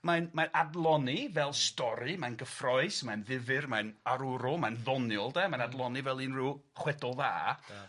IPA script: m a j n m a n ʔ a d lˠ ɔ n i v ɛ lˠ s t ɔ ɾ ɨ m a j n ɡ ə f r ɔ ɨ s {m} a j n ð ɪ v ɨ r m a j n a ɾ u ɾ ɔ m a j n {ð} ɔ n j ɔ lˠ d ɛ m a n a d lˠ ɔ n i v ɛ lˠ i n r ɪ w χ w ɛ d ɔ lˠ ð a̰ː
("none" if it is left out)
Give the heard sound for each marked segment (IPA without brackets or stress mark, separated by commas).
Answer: m, ð